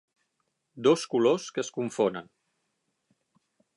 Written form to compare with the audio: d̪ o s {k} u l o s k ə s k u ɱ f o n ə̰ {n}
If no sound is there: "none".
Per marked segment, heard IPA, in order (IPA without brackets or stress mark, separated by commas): k, n